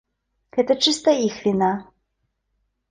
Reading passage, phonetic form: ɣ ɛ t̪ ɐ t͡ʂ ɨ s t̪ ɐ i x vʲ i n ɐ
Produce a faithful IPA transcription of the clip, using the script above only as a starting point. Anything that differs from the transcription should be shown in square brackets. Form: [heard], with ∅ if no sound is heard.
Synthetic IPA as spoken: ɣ ɛ t̪ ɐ t͡ʂ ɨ s t̪ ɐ i x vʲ i n [a]